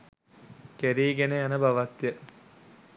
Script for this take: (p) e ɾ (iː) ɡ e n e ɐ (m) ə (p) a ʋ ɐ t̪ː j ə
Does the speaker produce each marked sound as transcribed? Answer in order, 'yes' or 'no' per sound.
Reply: no, yes, no, no

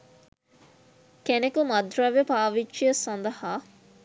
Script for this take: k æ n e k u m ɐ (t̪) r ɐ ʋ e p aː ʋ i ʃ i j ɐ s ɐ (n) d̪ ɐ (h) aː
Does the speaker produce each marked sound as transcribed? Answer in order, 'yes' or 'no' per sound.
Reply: no, yes, yes

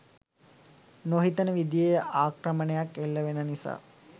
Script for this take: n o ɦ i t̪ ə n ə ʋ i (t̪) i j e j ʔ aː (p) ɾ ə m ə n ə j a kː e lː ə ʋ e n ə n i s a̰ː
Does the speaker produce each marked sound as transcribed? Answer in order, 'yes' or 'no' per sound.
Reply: no, no

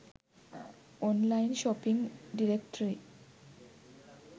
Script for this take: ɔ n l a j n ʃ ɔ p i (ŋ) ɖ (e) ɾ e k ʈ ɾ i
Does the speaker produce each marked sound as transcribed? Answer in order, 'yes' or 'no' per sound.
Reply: yes, no

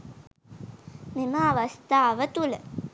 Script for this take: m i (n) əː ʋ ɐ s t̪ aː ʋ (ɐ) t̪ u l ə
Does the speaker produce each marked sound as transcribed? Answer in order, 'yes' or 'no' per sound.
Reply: no, no

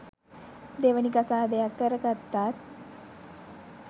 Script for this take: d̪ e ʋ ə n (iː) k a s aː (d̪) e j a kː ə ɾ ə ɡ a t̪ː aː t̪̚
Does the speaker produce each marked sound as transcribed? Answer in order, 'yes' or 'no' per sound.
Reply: no, yes

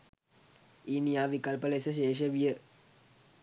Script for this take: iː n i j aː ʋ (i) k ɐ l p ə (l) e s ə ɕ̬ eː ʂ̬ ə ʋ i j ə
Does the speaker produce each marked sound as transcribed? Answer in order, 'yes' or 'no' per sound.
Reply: yes, yes

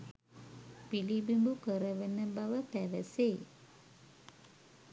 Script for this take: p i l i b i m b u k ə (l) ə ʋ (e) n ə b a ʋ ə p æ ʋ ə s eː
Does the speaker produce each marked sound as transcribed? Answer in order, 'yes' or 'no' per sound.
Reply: no, yes

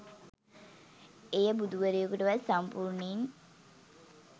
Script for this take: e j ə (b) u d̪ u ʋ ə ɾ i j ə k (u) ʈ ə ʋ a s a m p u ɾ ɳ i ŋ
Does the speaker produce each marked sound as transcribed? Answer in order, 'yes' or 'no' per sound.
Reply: yes, yes

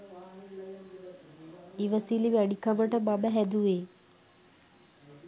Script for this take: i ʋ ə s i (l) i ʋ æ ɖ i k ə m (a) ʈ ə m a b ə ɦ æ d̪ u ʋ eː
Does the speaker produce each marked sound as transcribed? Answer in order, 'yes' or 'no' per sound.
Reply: yes, no

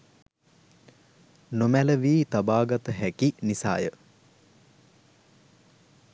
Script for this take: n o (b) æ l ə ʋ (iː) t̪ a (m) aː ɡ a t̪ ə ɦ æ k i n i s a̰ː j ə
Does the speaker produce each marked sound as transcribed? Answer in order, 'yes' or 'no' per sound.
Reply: no, yes, no

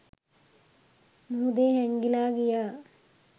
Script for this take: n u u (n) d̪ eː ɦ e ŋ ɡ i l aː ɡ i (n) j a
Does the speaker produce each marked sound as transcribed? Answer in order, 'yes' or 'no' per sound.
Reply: no, no

